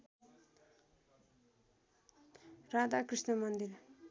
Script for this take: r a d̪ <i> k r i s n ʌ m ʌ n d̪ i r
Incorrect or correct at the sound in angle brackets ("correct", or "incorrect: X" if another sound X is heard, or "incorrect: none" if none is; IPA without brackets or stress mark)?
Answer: incorrect: a